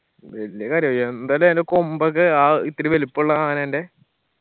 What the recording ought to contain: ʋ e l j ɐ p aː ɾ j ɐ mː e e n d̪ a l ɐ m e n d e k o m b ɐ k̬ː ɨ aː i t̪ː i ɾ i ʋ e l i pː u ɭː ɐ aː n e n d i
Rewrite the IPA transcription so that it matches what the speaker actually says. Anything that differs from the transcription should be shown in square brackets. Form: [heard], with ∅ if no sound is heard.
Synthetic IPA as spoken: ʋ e l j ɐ [k] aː ɾ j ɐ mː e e n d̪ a l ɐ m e n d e k o m b ɐ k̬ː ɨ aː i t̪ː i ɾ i ʋ e l i pː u ɭː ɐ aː n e n d [e]